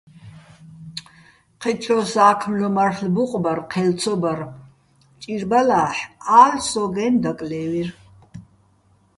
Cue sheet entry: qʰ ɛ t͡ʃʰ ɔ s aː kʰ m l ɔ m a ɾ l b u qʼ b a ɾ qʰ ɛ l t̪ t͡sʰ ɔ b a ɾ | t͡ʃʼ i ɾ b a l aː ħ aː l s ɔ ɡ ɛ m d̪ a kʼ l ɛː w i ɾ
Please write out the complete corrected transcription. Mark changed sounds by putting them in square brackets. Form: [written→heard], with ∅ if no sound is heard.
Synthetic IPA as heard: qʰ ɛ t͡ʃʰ ɔ s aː kʰ m l ɔ m a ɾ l b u qʼ b a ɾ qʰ ɛ l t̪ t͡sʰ ɔ b a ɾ | t͡ʃʼ i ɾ b a l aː ħ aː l s ɔ ɡ ɛ [m→n] d̪ a kʼ l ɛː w i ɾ